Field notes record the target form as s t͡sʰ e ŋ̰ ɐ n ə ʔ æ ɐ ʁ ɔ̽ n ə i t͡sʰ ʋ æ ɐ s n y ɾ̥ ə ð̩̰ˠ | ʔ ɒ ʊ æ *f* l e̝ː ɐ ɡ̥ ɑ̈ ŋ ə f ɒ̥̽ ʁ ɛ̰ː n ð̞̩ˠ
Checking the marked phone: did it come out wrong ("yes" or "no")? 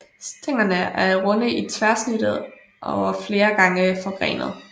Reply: no